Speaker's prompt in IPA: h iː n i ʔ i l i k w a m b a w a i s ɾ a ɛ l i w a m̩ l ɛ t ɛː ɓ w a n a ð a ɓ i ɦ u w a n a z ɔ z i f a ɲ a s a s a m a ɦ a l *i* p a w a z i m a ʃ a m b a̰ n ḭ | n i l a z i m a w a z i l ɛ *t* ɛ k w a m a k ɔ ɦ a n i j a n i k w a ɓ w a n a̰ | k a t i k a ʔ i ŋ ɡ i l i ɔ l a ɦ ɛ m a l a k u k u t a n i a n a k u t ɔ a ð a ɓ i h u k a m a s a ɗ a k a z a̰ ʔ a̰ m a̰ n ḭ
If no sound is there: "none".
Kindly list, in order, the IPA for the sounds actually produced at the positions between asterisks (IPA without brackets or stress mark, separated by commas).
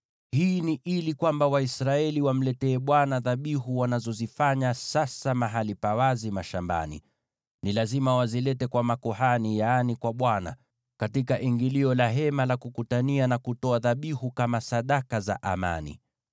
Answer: i, t